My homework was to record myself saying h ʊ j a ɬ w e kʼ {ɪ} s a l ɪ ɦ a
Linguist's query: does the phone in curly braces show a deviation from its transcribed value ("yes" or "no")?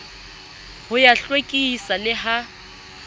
yes